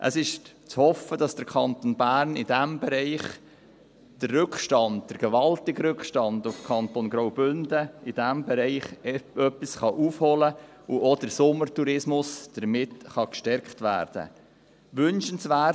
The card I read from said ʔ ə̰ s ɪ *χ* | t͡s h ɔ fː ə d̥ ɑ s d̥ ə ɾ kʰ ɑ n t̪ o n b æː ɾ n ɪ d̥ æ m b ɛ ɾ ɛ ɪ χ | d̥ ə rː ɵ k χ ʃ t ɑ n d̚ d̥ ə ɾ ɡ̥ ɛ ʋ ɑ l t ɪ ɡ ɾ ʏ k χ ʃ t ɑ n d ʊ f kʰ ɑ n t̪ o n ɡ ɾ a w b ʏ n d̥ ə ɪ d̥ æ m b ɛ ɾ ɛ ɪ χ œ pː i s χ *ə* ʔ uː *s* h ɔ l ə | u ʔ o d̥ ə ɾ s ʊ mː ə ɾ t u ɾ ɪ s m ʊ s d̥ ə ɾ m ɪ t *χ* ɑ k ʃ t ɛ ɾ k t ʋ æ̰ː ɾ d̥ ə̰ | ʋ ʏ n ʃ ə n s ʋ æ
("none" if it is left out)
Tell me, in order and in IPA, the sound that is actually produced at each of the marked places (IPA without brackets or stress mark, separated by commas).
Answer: ʃ, ɑ, f, χ